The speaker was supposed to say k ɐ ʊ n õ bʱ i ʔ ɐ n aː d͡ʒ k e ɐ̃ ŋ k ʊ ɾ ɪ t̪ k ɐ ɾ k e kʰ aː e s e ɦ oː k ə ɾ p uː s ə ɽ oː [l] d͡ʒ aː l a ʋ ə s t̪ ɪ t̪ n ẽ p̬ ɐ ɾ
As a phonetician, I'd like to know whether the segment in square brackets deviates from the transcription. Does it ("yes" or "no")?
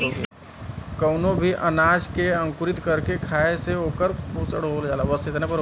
no